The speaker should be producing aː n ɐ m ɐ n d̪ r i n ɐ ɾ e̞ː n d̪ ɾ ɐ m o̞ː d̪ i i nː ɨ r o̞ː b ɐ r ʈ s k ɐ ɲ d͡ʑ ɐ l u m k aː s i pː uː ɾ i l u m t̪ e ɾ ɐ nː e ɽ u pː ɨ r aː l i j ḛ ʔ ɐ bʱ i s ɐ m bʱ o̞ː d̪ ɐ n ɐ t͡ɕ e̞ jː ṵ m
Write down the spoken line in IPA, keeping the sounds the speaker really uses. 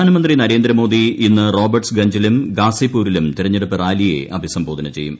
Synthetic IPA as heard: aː n ɐ m ɐ n d̪ r i n ɐ ɾ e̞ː n d̪ ɾ ɐ m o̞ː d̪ i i nː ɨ r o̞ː b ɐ r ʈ s ɡ ɐ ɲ d͡ʑ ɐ l u m ɡ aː s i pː uː ɾ i l u m t̪ i ɾ ɐ ɲː e ɽ u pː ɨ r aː l i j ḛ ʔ ɐ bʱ i s ɐ m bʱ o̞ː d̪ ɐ n ɐ t͡ɕ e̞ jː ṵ m